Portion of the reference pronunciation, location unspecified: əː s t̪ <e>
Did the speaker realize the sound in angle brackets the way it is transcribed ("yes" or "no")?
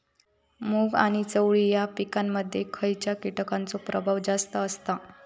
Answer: no